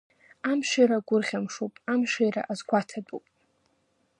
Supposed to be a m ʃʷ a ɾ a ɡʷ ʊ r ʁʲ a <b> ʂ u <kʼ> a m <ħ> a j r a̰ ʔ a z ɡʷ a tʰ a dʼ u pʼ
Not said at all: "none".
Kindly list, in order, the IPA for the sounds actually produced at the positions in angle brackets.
m, pʼ, ʃ

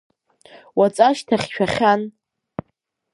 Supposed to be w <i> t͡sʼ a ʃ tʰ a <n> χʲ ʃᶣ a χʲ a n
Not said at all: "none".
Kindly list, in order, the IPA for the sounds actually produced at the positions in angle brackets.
a, none

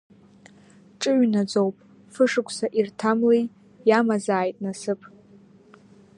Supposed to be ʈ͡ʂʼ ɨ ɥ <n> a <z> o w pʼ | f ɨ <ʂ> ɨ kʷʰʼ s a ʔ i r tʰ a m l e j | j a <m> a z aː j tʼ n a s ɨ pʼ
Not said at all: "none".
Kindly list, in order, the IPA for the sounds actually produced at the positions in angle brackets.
n, d͡z, ʂ, m

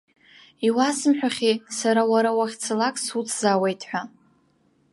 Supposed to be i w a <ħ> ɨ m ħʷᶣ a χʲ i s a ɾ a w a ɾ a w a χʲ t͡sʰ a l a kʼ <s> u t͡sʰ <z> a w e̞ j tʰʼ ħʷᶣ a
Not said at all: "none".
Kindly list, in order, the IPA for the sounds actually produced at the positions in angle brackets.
s, s, z

